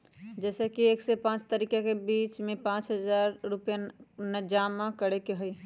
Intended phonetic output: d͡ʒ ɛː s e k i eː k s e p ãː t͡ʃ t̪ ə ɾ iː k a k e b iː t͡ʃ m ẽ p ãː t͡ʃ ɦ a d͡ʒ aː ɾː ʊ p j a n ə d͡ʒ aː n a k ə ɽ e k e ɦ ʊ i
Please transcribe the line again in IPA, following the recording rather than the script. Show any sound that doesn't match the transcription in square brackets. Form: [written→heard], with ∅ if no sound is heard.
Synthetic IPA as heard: d͡ʒ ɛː s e k i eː k s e p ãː t͡ʃ t̪ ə ɾ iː k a k e b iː t͡ʃ m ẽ p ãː t͡ʃ ɦ [a→ə] d͡ʒ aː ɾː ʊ p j a n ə d͡ʒ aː [n→m] a k ə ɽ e k e ɦ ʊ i